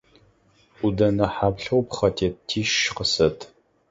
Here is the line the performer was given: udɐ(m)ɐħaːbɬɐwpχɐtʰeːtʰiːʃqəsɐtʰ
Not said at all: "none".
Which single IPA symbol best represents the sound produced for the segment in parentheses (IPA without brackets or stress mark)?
n